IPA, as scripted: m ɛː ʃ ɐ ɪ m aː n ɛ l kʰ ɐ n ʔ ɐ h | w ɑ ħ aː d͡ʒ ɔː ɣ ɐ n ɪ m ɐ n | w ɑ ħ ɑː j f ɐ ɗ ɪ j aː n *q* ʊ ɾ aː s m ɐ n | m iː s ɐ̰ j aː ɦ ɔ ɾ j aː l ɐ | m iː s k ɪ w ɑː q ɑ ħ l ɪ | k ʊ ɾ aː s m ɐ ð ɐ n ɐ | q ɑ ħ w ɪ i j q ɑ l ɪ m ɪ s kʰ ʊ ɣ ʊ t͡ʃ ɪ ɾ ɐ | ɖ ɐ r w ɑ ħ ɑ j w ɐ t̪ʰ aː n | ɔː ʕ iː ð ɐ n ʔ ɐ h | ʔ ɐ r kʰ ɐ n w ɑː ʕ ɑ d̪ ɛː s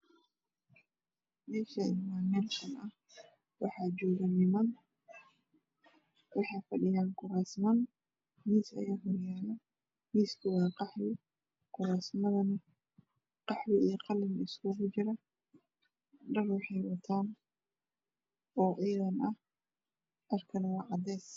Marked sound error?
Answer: yes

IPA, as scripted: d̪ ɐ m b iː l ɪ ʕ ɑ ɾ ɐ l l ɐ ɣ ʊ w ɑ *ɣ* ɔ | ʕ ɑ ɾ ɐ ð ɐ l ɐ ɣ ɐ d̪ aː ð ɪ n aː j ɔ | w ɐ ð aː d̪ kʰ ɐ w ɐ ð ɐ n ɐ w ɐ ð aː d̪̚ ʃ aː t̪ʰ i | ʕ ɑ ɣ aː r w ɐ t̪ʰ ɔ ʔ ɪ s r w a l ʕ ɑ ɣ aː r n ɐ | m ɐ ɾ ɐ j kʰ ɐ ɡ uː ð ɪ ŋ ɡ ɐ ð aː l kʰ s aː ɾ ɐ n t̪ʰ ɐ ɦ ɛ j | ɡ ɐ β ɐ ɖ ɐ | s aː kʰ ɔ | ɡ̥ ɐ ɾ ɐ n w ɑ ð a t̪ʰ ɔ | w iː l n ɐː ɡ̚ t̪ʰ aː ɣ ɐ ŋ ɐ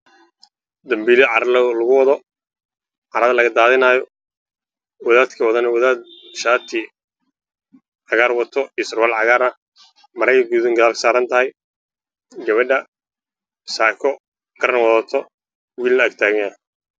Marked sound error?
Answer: yes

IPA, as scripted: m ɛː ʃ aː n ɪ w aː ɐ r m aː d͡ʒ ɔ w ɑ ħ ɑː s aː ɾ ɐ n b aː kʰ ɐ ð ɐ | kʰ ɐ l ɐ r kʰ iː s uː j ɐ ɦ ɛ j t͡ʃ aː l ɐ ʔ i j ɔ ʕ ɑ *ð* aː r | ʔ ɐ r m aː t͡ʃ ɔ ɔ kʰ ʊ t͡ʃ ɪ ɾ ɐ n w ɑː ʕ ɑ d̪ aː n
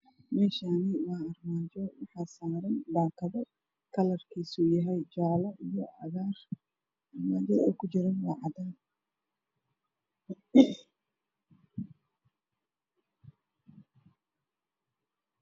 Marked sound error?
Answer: yes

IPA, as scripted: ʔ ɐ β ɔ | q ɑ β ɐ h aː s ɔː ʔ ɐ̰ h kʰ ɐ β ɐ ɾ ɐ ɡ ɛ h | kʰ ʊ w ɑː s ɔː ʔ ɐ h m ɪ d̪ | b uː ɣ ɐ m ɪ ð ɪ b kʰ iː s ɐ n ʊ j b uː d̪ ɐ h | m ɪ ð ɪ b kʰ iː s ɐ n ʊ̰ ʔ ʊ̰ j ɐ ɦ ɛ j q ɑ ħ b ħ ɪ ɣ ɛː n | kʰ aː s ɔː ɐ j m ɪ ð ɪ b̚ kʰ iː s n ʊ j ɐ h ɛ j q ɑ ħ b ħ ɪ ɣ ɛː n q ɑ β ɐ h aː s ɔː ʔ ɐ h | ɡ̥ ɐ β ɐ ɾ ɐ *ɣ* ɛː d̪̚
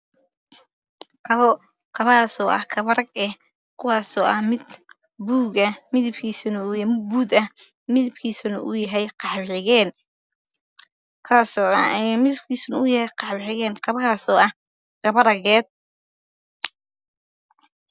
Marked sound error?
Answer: no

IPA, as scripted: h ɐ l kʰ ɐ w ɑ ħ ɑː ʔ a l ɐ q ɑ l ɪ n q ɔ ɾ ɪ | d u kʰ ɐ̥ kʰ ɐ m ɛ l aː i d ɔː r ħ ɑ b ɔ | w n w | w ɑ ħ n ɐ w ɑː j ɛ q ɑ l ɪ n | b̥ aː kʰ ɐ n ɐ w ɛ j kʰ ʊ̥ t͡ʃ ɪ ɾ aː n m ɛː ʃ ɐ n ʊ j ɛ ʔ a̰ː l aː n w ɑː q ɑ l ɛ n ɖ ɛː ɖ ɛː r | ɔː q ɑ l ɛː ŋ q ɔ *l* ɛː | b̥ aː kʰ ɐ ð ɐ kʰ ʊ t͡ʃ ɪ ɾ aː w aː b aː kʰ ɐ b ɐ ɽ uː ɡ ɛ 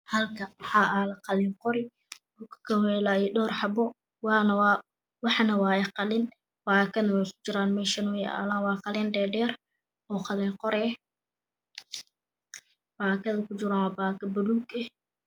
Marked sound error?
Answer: yes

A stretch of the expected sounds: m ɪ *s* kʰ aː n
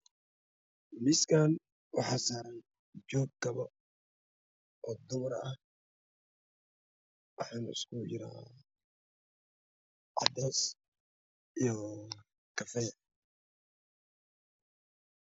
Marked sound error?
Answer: no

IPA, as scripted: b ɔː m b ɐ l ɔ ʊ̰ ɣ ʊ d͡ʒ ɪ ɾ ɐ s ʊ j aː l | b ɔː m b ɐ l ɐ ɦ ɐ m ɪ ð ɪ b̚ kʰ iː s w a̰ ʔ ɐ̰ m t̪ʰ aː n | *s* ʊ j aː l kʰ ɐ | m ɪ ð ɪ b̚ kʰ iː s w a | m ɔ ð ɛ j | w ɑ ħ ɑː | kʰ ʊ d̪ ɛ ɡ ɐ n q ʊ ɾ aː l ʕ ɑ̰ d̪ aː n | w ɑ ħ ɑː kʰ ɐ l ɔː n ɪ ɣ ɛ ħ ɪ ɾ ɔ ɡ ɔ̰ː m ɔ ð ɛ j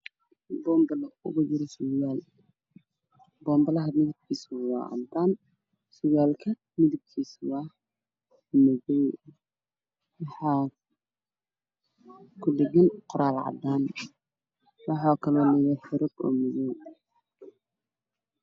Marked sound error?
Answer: no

